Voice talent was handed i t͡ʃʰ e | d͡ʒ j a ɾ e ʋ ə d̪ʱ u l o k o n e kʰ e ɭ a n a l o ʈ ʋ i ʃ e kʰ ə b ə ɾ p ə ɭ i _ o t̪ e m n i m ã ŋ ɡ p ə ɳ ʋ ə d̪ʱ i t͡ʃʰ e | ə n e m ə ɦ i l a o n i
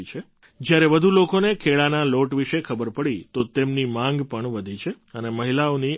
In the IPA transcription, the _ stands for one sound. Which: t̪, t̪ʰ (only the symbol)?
t̪